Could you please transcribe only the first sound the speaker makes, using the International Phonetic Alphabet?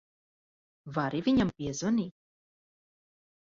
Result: v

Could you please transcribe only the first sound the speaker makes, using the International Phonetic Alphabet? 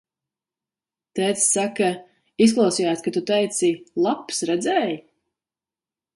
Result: t̪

